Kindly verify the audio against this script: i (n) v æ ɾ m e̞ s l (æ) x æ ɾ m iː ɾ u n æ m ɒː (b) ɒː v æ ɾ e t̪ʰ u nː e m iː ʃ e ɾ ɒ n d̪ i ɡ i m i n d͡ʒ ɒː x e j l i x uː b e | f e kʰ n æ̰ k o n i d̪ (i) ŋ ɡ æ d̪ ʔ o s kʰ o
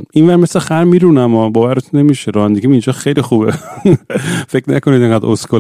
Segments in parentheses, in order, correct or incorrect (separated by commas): correct, incorrect, correct, incorrect